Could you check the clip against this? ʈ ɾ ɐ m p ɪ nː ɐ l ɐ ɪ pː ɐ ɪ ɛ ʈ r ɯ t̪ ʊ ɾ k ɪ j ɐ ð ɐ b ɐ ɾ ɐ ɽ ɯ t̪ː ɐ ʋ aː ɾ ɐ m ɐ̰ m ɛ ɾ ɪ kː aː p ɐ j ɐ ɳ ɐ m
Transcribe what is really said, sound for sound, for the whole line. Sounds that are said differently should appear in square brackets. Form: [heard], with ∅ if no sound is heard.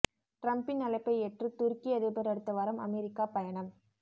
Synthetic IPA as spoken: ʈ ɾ ɐ m p ɪ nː ɐ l ɐ ɪ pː ɐ ɪ ɛ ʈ r ɯ t̪ ʊ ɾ k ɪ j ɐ ð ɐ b ɐ ɾ ɐ ɽ ɯ t̪ː ɐ ʋ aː ɾ ɐ m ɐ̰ m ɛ ɾ ɪ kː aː p ɐ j ɐ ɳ ɐ m